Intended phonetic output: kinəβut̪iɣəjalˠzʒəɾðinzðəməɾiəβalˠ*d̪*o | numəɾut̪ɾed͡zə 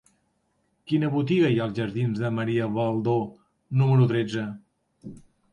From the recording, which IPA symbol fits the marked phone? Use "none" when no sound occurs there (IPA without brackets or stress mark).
d̪